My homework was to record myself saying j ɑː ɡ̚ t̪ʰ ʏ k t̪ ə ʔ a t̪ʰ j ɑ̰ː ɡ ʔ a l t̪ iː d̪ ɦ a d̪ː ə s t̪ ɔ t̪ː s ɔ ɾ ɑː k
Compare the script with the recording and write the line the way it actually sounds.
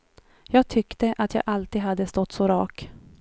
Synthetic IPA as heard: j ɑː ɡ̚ t̪ʰ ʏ k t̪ ə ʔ a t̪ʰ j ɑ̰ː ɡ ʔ a l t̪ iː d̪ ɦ a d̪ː ə s t̪ ɔ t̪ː s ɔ ɾ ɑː k